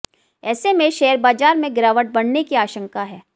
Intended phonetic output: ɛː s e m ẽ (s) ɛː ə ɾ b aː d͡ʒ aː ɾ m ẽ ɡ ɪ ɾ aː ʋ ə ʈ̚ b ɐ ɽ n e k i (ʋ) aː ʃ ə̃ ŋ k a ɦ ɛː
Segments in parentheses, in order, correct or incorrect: incorrect: ʃ, incorrect: none

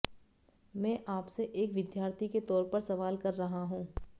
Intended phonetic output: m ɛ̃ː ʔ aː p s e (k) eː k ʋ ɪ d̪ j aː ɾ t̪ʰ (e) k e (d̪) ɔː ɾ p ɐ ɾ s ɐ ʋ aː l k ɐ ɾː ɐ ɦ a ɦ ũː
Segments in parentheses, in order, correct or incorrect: incorrect: ʔ, incorrect: i, incorrect: t̪

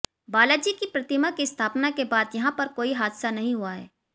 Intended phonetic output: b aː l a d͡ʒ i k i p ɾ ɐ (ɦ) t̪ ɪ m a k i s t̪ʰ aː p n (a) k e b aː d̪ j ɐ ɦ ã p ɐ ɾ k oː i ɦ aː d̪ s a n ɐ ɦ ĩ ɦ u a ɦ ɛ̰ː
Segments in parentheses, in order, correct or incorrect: incorrect: none, correct

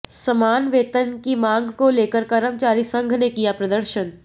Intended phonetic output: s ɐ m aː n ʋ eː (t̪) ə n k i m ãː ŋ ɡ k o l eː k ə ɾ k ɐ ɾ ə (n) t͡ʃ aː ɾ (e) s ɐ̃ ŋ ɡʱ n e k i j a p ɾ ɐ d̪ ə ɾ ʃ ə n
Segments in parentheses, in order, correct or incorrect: correct, incorrect: m, incorrect: i

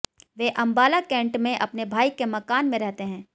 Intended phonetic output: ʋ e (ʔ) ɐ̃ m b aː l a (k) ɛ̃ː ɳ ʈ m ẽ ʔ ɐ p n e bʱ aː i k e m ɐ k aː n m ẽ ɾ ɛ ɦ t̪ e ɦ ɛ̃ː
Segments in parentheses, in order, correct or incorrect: correct, correct

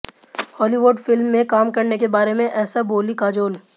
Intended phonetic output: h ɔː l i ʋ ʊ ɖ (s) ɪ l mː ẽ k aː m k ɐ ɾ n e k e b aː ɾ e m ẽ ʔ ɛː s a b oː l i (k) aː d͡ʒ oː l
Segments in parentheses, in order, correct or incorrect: incorrect: f, correct

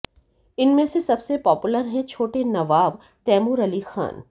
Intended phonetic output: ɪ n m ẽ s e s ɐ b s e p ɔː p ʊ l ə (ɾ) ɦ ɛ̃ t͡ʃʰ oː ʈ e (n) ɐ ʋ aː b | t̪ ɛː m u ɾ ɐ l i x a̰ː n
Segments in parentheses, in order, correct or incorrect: correct, correct

